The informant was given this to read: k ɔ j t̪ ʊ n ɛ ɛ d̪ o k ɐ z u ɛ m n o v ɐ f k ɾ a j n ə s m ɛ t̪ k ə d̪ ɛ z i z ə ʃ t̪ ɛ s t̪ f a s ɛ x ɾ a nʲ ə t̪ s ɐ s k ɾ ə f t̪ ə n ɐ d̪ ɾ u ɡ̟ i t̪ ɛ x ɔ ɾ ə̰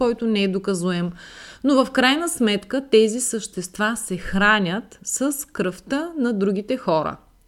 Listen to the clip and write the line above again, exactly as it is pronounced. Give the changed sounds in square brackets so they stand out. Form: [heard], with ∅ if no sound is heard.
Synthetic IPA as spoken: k ɔ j t̪ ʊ n ɛ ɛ d̪ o k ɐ z u ɛ m n o v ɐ f k ɾ a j n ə s m ɛ t̪ k ə [t̪] ɛ z i [s] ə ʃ t̪ ɛ s t̪ [v] a s ɛ x ɾ a nʲ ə t̪ s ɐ s k ɾ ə f t̪ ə n ɐ d̪ ɾ u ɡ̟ i t̪ ɛ x ɔ ɾ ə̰